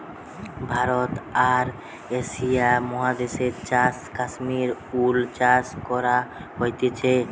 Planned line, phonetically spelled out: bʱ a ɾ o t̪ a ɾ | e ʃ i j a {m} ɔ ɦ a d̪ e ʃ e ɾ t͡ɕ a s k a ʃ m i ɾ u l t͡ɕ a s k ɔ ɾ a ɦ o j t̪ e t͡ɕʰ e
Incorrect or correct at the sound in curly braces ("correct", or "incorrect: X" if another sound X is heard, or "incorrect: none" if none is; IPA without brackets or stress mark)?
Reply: correct